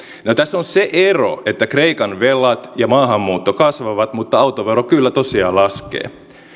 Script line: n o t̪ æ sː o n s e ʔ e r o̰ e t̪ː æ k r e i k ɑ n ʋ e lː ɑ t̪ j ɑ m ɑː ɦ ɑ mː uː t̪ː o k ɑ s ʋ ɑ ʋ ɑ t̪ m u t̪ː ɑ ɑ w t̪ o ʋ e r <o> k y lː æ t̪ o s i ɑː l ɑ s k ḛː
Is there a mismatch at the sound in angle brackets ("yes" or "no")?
no